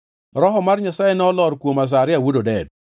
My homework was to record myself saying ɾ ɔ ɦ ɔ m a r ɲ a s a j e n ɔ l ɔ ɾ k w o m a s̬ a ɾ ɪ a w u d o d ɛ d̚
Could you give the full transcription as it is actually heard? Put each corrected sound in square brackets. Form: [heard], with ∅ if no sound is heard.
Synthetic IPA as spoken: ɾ ɔ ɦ ɔ m a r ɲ a s a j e n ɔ l ɔ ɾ k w o m a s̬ a ɾ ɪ a w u d o d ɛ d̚